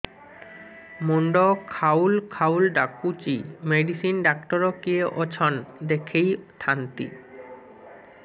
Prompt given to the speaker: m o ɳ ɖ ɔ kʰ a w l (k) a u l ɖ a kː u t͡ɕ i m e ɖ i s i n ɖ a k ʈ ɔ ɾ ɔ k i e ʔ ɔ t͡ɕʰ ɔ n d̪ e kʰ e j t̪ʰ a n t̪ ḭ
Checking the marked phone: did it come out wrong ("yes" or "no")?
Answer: yes